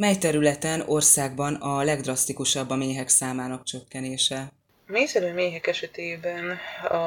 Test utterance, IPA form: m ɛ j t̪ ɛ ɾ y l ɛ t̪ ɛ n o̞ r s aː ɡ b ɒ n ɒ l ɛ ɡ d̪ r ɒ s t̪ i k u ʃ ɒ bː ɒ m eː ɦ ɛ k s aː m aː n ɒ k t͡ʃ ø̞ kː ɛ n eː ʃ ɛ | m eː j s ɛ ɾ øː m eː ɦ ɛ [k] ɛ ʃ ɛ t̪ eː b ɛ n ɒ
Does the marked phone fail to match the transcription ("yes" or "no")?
no